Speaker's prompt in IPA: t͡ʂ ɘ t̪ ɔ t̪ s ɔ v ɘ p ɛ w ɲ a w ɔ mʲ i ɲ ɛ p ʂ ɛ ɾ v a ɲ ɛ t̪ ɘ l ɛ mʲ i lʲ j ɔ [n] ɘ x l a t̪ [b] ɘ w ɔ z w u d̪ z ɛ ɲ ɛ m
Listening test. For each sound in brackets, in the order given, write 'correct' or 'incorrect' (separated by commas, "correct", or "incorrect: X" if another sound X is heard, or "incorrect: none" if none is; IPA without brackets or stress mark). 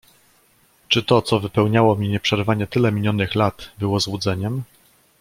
correct, correct